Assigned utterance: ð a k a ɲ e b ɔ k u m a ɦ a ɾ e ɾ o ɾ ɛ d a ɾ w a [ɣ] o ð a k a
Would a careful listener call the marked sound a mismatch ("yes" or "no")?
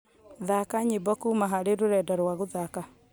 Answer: no